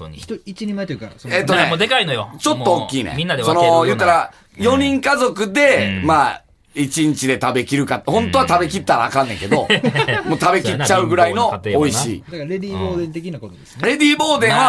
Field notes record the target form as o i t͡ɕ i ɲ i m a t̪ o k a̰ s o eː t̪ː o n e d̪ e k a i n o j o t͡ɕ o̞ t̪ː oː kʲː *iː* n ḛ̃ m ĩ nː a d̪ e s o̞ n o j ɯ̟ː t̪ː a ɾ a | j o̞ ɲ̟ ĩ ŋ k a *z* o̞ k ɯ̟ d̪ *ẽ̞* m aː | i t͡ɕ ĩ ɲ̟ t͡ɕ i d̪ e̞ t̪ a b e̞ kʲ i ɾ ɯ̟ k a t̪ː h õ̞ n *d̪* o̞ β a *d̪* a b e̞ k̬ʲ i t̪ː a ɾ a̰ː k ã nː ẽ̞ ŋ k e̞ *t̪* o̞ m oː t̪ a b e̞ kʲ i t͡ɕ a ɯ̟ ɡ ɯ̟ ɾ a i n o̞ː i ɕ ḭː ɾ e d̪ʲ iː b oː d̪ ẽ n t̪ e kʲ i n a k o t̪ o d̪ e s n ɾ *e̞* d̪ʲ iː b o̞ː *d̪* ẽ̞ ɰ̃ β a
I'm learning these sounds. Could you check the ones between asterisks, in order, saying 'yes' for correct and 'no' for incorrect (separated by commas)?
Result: yes, yes, no, no, no, no, yes, yes